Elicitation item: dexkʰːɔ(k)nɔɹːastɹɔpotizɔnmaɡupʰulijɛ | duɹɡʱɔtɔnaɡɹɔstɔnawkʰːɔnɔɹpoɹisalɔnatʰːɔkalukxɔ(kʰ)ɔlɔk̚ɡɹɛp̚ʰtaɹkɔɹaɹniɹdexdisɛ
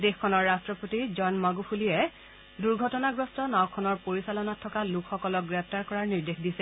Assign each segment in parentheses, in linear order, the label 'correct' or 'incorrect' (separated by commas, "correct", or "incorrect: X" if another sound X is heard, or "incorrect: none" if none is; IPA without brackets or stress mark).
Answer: incorrect: none, incorrect: k